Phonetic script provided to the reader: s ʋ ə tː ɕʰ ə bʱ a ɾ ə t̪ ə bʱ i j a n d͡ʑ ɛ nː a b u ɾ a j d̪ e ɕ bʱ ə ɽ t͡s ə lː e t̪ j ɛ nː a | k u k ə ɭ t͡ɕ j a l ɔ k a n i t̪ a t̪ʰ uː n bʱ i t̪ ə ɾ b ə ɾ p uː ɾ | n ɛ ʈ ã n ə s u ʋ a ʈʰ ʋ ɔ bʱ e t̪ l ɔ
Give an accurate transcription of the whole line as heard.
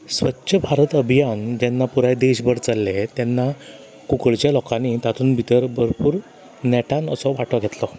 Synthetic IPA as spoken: s ʋ ə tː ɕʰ ə bʱ a ɾ ə t̪ ə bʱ i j a n d͡ʑ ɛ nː a p u ɾ a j d̪ e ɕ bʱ ə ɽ t͡s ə lː e t̪ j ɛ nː a | k u k ə ɭ t͡ɕ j a l ɔ k a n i t̪ a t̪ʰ uː n bʱ i t̪ ə ɾ b ə ɾ p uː ɾ | n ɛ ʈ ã n ə s ɔ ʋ a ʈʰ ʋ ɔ ɡʱ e t̪ l ɔ

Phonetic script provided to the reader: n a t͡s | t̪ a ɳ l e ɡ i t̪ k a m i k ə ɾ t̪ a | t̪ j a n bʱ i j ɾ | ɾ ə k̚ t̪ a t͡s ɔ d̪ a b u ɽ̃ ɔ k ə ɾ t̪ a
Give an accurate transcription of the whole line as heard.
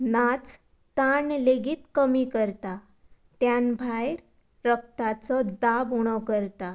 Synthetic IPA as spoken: n a t͡s | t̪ a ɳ l e ɡ i t̪ k ə m i k ə ɾ t̪ a | t̪ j a n bʱ a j ɾ | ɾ ə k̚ t̪ a t͡s ɔ d̪ a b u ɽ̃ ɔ k ə ɾ t̪ a

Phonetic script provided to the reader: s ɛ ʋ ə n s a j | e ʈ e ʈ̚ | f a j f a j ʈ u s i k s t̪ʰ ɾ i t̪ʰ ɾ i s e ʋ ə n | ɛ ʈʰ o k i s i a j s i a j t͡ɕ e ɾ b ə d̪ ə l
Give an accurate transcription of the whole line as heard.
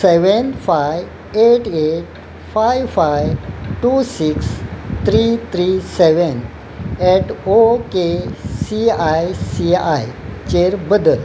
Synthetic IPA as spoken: s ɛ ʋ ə n f a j | e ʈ e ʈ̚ | f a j f a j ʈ u s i k s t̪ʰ ɾ i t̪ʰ ɾ i s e ʋ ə n | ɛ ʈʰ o k e s i a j s i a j t͡ɕ e ɾ b ə d̪ ə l

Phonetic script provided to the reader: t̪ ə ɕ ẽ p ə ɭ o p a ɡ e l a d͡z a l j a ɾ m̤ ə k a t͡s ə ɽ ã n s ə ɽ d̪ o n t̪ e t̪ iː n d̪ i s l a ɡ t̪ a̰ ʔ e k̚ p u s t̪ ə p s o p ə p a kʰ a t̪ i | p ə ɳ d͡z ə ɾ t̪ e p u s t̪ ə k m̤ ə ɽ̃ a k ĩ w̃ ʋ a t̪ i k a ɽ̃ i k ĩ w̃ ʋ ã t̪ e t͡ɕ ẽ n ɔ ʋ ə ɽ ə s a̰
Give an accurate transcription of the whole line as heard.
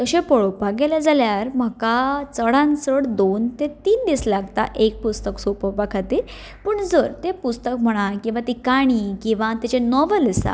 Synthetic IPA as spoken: t̪ ə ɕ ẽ p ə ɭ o p a ɡ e l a d͡z a l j a ɾ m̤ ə k a t͡s ə ɽ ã n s ə ɽ d̪ o n t̪ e t̪ iː n d̪ i s l a ɡ t̪ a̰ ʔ e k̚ p u s t̪ ə k s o p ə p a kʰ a t̪ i | p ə ɳ d͡z ə ɾ t̪ e p u s t̪ ə k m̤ ə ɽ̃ a k ĩ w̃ ʋ a t̪ i k a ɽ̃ i k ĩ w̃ ʋ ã t̪ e t͡ɕ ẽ n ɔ ʋ ə l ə s a̰

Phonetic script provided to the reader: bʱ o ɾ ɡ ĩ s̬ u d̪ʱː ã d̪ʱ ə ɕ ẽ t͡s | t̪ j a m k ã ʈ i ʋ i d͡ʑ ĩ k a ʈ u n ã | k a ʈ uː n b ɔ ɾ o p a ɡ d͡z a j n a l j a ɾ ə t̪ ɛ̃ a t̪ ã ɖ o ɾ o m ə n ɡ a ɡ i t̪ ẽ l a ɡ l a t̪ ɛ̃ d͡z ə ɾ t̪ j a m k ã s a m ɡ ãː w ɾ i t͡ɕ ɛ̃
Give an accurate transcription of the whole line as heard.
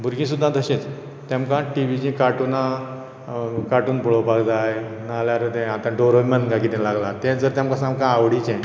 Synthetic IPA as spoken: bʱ u ɾ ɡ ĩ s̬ u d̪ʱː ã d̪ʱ ə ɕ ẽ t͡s | t̪ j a m k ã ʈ i ʋ i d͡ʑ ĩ k a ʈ u n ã | k a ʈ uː n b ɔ ɭ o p a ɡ d͡z a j n a l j a ɾ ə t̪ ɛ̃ a t̪ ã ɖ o ɾ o m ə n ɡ a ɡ i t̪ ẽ l a ɡ l a t̪ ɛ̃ d͡z ə ɾ t̪ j a m k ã s a m k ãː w ɽ i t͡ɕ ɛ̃

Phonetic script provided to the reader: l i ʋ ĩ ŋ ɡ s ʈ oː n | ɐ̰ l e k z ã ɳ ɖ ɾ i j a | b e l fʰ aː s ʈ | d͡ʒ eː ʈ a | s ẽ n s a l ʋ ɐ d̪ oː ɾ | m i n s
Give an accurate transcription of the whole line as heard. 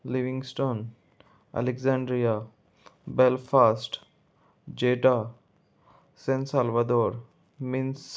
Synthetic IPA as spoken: l i ʋ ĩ ŋ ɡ s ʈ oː n | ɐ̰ l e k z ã ɳ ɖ ɾ i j a | b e l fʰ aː s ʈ | d͡ʒ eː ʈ a | s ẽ n s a l ʋ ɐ d̪ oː ɾ | m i n s

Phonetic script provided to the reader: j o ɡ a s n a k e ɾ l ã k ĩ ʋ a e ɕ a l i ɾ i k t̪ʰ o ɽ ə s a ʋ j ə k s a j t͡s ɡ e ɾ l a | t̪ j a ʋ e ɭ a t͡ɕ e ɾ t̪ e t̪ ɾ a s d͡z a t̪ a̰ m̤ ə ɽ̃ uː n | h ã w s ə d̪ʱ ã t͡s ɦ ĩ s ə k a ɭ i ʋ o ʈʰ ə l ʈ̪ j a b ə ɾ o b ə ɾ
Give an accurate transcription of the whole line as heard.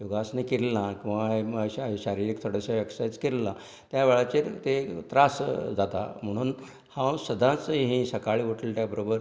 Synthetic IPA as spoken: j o ɡ a s n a k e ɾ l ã k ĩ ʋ a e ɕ a ɾ i ɾ i k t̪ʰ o ɽ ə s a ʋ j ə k s a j t͡s k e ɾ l a | t̪ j a ʋ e ɭ a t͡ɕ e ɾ t̪ e t̪ ɾ a s d͡z a t̪ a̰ m̤ ə ɽ̃ uː n | h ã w s ə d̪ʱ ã t͡s ɦ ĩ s ə k a ɭ i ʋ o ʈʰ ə l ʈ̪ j a b ə ɾ o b ə ɾ

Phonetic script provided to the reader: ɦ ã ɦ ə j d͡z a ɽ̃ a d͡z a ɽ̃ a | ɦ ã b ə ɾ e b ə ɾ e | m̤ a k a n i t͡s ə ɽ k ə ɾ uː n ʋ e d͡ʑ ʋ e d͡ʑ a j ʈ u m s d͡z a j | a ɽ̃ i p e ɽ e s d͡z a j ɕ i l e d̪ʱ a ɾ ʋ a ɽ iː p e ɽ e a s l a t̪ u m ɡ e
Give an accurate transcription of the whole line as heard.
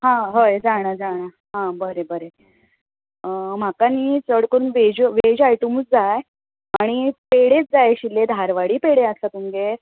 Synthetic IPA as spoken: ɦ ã ɦ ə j d͡z a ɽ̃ a d͡z a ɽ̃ a | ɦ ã b ə ɾ e b ə ɾ e | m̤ a k a n i t͡s ə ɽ k ə ɾ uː n ʋ e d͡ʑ ʋ e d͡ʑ a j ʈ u m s d͡z a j | a ɽ̃ i p e ɽ e t͡s d͡z a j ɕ i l e d̪ʱ a ɾ ʋ a ɽ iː p e ɽ e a s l a t̪ u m ɡ e

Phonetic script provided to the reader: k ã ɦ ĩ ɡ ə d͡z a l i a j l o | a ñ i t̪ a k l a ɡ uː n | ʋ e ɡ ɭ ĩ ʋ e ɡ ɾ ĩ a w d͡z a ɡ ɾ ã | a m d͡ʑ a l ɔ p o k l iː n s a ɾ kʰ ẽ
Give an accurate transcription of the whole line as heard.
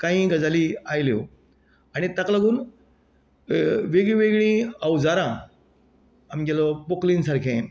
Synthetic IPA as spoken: k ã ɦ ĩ ɡ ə d͡z a l i a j l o | a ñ i t̪ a k l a ɡ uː n | ʋ e ɡ ɭ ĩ ʋ e ɡ ɭ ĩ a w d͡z a ɾ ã | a m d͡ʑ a l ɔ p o k l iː n s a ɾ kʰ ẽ

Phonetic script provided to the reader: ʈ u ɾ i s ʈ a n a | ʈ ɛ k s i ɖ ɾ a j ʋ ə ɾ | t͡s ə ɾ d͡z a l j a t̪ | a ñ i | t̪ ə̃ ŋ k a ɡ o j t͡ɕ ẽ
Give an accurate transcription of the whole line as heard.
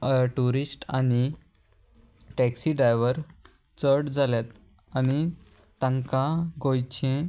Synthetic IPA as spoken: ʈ u ɾ i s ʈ a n i | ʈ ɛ k s i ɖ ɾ a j ʋ ə ɾ | t͡s ə ɽ d͡z a l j a t̪ | a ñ i | t̪ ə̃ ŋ k a ɡ o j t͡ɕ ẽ

